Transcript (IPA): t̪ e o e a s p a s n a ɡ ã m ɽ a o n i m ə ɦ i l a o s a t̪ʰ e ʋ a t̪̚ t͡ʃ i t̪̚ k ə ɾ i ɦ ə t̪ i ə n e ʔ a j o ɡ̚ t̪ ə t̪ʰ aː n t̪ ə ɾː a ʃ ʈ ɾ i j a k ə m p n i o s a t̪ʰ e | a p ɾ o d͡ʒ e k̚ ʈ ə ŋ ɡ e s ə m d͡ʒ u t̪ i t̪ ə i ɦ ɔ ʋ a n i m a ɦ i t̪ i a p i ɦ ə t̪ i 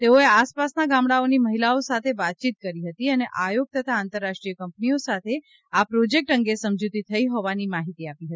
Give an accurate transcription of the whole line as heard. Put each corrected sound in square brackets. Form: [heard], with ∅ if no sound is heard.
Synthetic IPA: t̪ e o e a s p a s n a ɡ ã m ɽ a o n i m ə ɦ i l a o s a t̪ʰ e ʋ a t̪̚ t͡ʃ i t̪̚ k ə ɾ i ɦ ə t̪ i ə n e ʔ a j o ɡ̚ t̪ ə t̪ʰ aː n t̪ ə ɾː a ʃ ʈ ɾ i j [ə] k ə m p n i o s a t̪ʰ e | a p ɾ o d͡ʒ e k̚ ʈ ə ŋ ɡ e s ə m d͡ʒ u t̪ i [t̪ʰ] ə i ɦ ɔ ʋ a n i m a ɦ i t̪ i a p i ɦ ə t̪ i